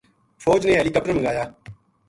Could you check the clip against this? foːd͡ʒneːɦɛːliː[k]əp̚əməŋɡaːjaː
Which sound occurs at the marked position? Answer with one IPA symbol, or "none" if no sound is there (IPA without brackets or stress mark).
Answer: k